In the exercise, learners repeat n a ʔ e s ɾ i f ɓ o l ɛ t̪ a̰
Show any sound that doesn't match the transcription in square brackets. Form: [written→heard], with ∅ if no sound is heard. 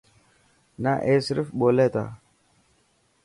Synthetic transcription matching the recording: n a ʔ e s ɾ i f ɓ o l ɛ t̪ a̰